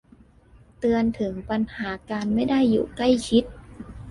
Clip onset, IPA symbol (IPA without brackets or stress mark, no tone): t̪